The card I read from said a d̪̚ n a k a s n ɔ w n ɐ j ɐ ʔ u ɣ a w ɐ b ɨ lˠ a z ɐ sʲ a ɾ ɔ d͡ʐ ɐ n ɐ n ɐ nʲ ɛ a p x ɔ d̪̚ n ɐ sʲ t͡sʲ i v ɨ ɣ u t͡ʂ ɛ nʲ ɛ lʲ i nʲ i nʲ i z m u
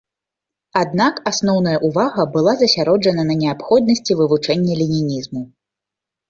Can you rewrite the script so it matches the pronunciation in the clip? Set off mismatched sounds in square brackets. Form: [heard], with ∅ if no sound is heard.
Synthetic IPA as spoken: a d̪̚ n a k a s n ɔ w n ɐ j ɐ ʔ u [v] a [ɣ] ɐ b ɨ lˠ a z ɐ sʲ a ɾ ɔ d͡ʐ ɐ n ɐ n ɐ nʲ ɛ a p x ɔ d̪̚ n ɐ sʲ t͡sʲ i v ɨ [v] u t͡ʂ ɛ [nʲː] ɛ lʲ i nʲ i nʲ i z m u